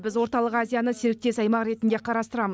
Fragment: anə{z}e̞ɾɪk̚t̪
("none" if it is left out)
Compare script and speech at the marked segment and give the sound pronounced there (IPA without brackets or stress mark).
s